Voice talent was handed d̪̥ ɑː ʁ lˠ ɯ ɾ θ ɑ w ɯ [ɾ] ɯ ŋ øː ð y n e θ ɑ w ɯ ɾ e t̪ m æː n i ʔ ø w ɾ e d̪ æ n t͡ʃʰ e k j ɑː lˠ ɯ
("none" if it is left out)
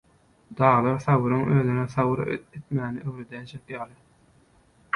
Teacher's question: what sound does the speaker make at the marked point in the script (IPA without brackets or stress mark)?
ɾ